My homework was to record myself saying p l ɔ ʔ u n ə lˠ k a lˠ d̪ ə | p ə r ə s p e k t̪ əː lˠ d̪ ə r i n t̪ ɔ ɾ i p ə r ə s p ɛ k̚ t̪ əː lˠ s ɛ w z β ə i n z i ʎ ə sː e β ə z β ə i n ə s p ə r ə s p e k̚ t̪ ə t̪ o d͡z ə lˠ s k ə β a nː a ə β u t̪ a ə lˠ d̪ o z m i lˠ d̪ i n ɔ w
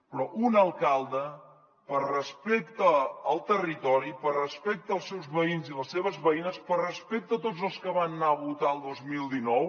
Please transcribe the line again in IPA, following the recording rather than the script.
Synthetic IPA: p ɾ ɔ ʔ u n ə lˠ k a lˠ d̪ ə | p ə r ə s p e k t̪ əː lˠ t̪ ə r i t̪ ɔ ɾ i p ə r ə s p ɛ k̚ t̪ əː lˠ s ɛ w z β ə i n z i l ə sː e β ə z β ə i n ə s p ə r ə s p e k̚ t̪ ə t̪ o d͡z ə lˠ s k ə β a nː a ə β u t̪ a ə lˠ d̪ o z m i lˠ d̪ i n ɔ w